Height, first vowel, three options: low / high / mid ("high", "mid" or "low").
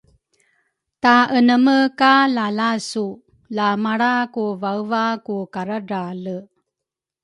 low